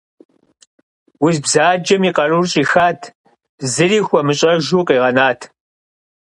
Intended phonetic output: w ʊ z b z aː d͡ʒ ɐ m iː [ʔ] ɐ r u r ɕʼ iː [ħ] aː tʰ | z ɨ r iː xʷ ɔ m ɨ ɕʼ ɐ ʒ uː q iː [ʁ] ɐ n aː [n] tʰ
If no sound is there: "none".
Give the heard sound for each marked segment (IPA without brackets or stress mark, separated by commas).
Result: q, x, ʁ, none